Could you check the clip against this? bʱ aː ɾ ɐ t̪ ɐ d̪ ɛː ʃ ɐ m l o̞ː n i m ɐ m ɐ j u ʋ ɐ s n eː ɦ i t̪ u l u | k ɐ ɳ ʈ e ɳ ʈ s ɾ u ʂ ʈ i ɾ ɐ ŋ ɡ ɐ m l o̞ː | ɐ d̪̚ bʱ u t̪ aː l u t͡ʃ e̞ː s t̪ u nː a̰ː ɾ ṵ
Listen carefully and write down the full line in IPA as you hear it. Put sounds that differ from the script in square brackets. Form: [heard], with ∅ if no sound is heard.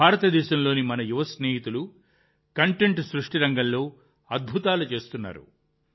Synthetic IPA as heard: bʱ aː ɾ ɐ t̪ ɐ d̪ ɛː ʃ ɐ m l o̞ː n i m ɐ [n] ɐ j u ʋ ɐ s n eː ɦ i t̪ u l u | k ɐ ɳ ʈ e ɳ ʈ s ɾ u ʂ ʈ i ɾ ɐ ŋ ɡ ɐ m l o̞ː | ɐ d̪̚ bʱ u t̪ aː l u t͡ʃ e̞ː s t̪ u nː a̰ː ɾ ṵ